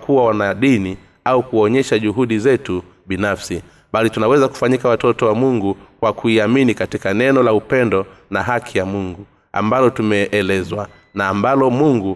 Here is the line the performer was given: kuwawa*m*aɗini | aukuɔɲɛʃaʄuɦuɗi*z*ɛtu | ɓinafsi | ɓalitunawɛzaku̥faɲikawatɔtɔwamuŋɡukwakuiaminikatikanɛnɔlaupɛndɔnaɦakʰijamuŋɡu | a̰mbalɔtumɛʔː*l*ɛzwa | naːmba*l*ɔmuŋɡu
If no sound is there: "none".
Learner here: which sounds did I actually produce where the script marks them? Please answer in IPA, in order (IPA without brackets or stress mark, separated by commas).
n, z, l, l